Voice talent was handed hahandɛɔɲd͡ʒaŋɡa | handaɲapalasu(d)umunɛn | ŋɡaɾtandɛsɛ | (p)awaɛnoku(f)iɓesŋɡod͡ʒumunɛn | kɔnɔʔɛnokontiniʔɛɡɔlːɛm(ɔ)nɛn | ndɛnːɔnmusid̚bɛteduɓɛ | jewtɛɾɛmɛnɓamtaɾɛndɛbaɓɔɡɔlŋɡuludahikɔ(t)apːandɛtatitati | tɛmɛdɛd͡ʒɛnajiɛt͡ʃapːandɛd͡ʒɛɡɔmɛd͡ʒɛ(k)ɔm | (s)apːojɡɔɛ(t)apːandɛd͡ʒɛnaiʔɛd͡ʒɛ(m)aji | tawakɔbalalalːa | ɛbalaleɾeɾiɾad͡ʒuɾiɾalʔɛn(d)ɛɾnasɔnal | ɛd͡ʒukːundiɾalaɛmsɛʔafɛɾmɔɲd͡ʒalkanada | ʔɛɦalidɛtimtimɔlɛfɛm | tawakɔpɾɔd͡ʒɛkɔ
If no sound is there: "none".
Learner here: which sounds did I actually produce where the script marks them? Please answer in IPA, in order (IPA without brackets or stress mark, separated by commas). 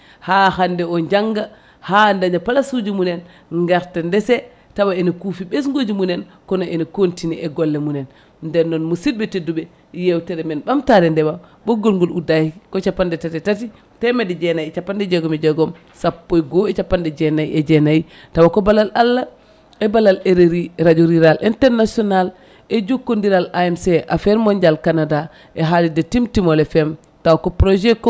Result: d͡ʒ, t, f, u, t͡ʃ, ɡ, s, t͡ʃ, n, t